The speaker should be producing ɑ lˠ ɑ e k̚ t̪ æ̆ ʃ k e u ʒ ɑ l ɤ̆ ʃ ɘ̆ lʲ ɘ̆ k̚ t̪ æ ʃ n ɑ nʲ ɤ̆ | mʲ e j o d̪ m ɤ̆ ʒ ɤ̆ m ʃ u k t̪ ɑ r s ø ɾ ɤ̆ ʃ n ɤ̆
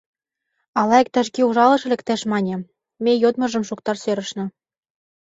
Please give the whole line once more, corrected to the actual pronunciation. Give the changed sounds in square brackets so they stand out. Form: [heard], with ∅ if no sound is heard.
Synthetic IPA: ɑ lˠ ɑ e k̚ t̪ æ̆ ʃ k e u ʒ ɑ l ɤ̆ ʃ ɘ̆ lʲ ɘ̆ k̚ t̪ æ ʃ [m] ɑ nʲ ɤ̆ | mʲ e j o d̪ m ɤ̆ ʒ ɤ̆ m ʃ u k t̪ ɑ r s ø ɾ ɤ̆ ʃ n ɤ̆